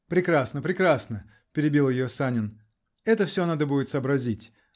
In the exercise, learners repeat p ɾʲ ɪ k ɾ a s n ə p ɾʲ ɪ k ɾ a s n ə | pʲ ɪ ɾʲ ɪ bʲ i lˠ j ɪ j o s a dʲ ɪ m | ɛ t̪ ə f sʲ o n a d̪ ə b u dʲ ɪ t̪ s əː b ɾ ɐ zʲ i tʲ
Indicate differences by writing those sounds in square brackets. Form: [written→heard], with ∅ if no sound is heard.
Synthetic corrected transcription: p ɾʲ ɪ k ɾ a s n ə p ɾʲ ɪ k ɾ a s n ə | pʲ ɪ ɾʲ ɪ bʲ i lˠ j ɪ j o s a [dʲ→nʲ] ɪ [m→n] | ɛ t̪ ə f sʲ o n a d̪ ə b u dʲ ɪ t̪ s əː b ɾ ɐ zʲ i tʲ

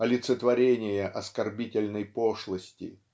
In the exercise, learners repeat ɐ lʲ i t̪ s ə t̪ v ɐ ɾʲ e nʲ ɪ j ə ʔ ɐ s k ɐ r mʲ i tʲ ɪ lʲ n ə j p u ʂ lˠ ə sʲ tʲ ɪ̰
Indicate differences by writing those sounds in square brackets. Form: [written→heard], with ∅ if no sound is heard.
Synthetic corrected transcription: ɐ lʲ [i→ɪ] t̪ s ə t̪ v ɐ ɾʲ e nʲ ɪ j ə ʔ ɐ s k ɐ r [mʲ→bʲ] i tʲ ɪ lʲ n ə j p [u→o] ʂ lˠ ə sʲ tʲ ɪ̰

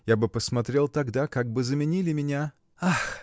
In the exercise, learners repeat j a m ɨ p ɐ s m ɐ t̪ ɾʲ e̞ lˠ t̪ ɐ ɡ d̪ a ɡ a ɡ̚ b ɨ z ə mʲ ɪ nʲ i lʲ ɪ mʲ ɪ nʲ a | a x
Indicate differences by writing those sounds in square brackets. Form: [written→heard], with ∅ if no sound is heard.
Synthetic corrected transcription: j a [m→b] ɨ p [ɐ→ə] s m ɐ t̪ ɾʲ e̞ lˠ t̪ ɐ ɡ d̪ a [ɡ→k] a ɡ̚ b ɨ z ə mʲ ɪ nʲ i lʲ ɪ mʲ ɪ nʲ a | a x

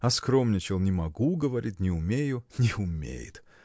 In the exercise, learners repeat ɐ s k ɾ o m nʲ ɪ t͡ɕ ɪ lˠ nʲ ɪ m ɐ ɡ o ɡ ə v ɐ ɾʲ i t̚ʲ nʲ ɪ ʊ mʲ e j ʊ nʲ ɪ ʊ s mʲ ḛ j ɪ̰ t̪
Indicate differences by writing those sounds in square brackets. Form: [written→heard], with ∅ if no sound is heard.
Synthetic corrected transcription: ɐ s k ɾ o m nʲ ɪ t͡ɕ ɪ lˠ nʲ ɪ m ɐ ɡ [o→u] ɡ ə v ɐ ɾʲ i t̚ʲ nʲ ɪ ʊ mʲ e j ʊ nʲ ɪ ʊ [s→∅] mʲ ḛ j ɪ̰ t̪

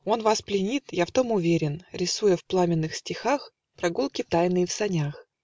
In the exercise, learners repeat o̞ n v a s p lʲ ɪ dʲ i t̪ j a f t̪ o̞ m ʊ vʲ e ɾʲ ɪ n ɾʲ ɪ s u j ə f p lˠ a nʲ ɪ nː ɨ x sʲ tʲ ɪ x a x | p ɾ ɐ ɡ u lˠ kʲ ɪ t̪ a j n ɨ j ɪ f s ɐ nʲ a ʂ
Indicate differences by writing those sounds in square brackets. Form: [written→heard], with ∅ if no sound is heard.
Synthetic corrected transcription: o̞ n v a s p lʲ ɪ [dʲ→nʲ] i t̪ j a f t̪ o̞ m ʊ vʲ e ɾʲ ɪ n ɾʲ ɪ s u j ə f p lˠ a [nʲ→mʲ] ɪ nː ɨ x sʲ tʲ ɪ x a x | p ɾ ɐ ɡ u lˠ kʲ ɪ t̪ a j n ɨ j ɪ f s ɐ nʲ a [ʂ→x]

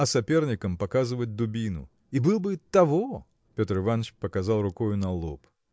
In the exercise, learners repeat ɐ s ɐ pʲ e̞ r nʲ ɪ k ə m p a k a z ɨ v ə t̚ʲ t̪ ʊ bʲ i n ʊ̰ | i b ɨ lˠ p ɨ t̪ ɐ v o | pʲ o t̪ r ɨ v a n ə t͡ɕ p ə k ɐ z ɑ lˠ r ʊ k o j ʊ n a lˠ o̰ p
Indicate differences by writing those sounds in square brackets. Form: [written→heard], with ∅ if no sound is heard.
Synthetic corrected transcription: ɐ s ɐ pʲ e̞ r nʲ ɪ k ə m p [a→ɐ] k a z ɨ v ə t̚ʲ [t̪→d̪] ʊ bʲ i n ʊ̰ | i b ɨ lˠ [p→b] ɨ t̪ ɐ v o | pʲ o t̪ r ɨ v a n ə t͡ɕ p ə k ɐ z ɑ lˠ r ʊ k o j ʊ n [a→ɐ] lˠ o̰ p

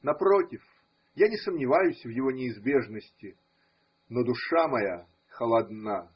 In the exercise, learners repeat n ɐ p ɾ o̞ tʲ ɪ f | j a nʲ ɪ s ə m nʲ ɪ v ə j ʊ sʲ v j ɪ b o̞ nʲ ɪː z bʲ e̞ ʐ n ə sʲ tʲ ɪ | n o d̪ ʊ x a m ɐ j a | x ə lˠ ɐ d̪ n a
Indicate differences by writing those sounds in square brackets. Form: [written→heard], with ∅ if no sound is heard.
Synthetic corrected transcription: n ɐ p ɾ o̞ tʲ ɪ f | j a nʲ ɪ s ə m nʲ ɪ v [ə→a] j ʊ sʲ v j ɪ [b→v] o̞ nʲ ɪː z bʲ e̞ ʐ n ə sʲ tʲ ɪ | n o d̪ ʊ [x→ʂ] a m ɐ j a | x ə lˠ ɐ d̪ n a

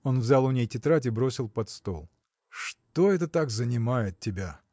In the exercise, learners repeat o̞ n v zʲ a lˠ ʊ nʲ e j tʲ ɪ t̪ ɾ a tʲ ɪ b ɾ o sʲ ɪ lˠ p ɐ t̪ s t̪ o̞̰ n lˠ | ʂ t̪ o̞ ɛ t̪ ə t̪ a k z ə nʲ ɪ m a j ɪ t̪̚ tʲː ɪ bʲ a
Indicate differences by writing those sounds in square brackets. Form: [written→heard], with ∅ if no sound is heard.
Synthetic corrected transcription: o̞ n v zʲ a lˠ ʊ nʲ e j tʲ ɪ t̪ ɾ a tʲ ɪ b ɾ o sʲ ɪ lˠ p ɐ t̪ s t̪ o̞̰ [n→∅] lˠ | ʂ t̪ o̞ ɛ t̪ ə t̪ a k z ə nʲ ɪ m a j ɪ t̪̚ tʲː ɪ bʲ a

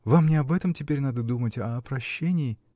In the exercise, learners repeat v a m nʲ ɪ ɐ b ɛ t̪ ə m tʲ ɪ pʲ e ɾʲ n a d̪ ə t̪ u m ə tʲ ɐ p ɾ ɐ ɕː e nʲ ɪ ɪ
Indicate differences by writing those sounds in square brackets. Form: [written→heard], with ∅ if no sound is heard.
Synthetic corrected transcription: v a m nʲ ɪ ɐ b ɛ t̪ ə m tʲ ɪ pʲ e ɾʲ n a d̪ ə [t̪→d̪] u m ə tʲ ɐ p ɾ ɐ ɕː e nʲ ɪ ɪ

